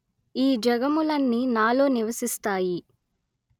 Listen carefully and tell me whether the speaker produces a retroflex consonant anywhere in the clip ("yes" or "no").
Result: no